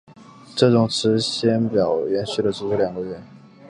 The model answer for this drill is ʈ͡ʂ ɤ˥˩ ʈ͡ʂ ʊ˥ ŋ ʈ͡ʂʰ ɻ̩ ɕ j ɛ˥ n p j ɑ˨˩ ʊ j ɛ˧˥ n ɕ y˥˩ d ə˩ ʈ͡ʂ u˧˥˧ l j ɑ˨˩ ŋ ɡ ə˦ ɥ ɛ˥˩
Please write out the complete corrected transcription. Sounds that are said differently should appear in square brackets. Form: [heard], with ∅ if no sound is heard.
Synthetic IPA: ʈ͡ʂ ɤ˥˩ ʈ͡ʂ [ʊ˨˩] ŋ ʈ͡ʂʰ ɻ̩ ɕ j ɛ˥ n p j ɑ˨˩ ʊ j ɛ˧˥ n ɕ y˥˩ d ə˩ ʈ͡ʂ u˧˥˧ l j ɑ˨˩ ŋ ɡ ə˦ ɥ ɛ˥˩